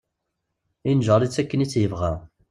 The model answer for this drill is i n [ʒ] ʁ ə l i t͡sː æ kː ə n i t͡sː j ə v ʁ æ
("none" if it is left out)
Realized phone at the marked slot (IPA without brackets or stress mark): ʒ